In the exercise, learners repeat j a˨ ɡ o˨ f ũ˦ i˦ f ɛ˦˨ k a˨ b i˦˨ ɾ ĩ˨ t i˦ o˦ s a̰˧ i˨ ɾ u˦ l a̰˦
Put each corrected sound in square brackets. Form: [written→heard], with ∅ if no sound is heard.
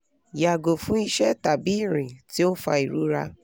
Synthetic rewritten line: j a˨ ɡ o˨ f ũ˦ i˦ [f→ʃ] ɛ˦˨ [k→t] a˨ b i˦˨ ɾ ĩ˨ t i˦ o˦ [s→f] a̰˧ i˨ ɾ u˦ [l→ɾ] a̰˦